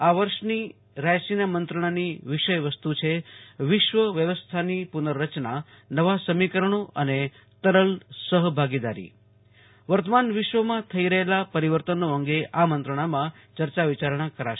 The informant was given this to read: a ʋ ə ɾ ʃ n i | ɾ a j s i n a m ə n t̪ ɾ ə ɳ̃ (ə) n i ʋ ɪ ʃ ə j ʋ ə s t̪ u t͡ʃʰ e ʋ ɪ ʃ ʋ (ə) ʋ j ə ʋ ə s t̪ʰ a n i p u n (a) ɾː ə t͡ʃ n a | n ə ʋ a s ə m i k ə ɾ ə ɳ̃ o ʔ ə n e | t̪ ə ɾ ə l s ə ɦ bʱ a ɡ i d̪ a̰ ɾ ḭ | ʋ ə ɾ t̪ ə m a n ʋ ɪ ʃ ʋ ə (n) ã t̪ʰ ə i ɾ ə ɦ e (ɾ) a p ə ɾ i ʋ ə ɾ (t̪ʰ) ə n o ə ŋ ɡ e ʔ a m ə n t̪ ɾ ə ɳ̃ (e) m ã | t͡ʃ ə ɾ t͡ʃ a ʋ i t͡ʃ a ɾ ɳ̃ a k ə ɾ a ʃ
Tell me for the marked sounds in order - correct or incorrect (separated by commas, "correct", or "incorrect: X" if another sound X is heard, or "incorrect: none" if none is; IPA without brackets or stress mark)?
incorrect: a, correct, incorrect: ə, incorrect: m, incorrect: l, incorrect: t̪, incorrect: a